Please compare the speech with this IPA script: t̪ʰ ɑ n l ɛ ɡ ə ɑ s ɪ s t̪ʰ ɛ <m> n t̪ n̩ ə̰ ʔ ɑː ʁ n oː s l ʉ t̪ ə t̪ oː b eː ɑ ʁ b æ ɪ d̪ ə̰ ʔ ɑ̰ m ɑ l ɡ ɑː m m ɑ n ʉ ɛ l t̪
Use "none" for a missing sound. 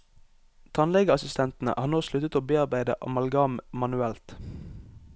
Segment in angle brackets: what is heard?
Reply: none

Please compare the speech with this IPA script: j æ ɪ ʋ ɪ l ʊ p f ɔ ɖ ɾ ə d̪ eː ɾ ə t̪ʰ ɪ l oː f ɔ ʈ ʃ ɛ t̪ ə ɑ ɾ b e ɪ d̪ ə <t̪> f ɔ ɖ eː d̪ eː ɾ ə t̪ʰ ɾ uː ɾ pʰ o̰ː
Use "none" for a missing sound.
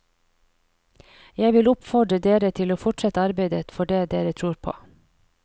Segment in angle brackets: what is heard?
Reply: t̪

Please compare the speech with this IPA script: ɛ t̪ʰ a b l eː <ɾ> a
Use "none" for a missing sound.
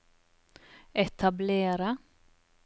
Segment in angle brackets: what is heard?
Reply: ɾ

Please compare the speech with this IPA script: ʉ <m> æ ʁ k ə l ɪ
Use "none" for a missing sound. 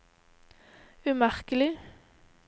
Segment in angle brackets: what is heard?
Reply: m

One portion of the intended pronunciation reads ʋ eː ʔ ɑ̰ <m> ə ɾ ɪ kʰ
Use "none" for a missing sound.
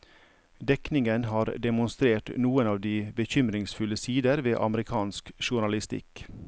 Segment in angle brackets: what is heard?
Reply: m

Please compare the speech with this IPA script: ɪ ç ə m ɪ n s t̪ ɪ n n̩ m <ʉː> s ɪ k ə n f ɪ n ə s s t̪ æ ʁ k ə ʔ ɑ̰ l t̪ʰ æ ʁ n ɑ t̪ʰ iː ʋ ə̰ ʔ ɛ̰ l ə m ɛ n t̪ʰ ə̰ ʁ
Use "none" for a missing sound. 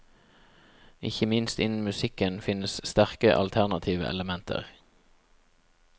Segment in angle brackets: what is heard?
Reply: ʉ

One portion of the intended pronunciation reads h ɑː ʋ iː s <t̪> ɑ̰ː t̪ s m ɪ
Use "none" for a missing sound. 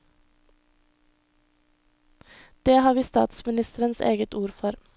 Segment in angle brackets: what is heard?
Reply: t̪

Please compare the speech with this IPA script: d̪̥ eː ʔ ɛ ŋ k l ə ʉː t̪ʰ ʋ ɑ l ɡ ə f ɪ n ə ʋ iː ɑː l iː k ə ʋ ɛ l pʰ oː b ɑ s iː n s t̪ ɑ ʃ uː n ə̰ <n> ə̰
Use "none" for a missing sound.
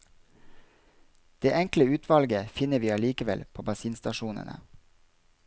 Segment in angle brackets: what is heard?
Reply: n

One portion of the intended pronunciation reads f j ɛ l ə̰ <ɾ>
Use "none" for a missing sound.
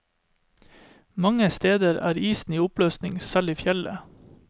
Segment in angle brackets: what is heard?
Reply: none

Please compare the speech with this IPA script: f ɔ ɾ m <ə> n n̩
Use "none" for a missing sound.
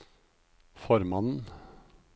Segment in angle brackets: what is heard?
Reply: ɑ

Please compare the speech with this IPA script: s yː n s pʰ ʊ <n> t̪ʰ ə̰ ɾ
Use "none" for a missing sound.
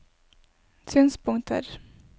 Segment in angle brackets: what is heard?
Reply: ŋ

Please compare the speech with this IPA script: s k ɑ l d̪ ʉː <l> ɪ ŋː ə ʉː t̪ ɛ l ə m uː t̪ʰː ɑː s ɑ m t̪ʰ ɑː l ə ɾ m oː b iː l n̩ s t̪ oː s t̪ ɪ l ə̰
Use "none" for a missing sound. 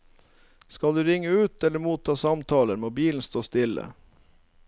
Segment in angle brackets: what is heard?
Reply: ɾ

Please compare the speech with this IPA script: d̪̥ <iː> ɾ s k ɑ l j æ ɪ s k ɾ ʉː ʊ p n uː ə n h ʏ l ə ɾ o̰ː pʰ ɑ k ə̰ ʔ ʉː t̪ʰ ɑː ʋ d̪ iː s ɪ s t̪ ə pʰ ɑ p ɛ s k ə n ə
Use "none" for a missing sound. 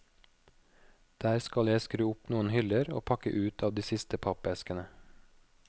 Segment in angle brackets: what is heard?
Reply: æː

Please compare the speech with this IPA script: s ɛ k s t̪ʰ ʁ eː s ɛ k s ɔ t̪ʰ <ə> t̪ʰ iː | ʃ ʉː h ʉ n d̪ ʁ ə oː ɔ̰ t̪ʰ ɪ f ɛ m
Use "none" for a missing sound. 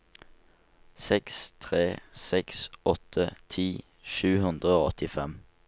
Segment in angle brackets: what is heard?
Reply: ə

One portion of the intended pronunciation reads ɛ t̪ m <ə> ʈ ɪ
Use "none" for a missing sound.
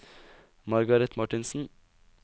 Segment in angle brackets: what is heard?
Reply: ɑ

